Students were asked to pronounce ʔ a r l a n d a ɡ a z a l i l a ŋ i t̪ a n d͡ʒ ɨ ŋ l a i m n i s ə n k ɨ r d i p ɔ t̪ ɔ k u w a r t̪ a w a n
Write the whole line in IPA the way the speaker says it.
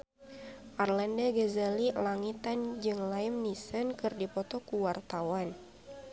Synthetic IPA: ʔ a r l a n d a ɡ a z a l i l a ŋ i t̪ a n d͡ʒ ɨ ŋ l a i m n i s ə n k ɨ r d i p ɔ t̪ ɔ k u w a r t̪ a w a n